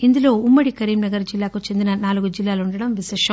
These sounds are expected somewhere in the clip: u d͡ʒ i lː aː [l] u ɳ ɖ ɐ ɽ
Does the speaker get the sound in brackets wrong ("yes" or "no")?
no